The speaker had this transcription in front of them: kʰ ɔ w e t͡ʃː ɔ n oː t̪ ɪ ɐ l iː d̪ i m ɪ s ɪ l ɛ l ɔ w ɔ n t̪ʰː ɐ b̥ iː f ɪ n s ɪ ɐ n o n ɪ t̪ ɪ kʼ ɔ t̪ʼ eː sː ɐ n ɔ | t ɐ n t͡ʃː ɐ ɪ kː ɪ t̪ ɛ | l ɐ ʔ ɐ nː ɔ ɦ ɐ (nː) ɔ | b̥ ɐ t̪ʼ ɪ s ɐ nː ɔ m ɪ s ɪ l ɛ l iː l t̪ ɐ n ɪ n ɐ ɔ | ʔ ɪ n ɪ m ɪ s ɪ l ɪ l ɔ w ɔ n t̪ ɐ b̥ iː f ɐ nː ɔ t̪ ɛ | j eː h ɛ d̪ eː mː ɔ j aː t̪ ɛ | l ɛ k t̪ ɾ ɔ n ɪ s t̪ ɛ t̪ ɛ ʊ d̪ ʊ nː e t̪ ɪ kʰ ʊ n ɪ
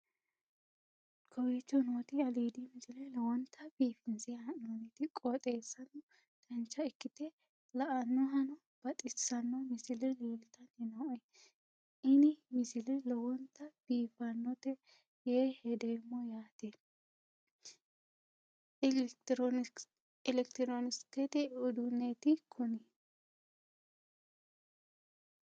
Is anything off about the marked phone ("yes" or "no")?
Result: yes